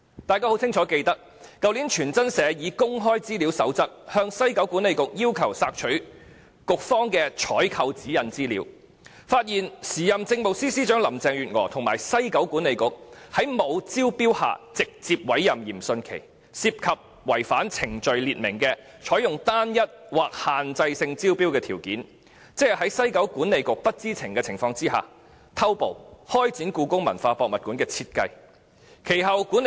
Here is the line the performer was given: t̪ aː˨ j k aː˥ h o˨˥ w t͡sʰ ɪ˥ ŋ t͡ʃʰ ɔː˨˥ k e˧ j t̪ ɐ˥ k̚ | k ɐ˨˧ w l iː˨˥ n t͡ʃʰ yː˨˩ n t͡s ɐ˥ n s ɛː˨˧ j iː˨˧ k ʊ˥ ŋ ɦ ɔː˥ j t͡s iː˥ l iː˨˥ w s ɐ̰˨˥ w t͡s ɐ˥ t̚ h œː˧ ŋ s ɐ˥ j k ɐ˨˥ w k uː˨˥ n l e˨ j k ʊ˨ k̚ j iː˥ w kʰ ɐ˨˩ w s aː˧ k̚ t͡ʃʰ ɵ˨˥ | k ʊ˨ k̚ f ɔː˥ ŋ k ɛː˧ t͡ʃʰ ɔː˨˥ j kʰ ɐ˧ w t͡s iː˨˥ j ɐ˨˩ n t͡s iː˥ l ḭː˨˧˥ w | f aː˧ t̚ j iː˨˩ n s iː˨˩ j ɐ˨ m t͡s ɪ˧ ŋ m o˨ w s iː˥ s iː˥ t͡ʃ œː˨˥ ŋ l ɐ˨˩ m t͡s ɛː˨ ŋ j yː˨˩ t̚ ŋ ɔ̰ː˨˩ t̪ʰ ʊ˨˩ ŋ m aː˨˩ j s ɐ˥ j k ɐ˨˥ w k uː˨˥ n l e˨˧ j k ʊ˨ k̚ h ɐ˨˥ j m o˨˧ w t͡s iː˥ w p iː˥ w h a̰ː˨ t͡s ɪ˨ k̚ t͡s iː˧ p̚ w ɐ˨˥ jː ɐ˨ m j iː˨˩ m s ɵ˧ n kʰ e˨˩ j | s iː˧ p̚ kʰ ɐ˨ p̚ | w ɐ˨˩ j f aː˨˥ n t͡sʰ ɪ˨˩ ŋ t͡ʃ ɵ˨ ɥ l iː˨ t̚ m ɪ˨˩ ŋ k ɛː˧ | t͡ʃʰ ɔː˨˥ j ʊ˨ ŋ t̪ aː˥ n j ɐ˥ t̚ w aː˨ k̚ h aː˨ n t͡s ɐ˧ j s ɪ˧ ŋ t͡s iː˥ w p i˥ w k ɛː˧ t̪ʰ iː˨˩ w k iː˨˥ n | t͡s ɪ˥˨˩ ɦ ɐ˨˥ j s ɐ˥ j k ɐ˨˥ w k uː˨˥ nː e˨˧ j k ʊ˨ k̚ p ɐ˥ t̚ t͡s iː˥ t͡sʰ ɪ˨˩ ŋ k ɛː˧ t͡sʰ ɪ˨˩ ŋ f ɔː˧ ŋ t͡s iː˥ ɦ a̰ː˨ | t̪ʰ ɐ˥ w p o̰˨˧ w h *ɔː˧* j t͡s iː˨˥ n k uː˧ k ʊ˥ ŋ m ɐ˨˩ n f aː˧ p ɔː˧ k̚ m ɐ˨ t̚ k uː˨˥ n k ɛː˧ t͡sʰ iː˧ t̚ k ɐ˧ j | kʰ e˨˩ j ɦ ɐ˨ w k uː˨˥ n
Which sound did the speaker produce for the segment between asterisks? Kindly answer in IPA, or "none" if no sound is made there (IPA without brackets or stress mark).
ɔː˥